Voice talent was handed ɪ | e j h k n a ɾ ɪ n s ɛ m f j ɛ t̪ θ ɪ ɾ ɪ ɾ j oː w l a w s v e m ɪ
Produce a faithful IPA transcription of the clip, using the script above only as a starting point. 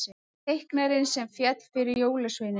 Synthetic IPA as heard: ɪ | e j h k n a ɾ ɪ n s ɛ m f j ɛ t̪ f ɪ ɾ ɪ ɾ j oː w l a s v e n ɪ